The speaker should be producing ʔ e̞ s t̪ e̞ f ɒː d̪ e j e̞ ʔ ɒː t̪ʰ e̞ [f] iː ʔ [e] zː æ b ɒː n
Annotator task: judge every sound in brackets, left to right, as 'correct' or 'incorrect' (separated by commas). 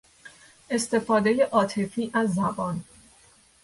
correct, incorrect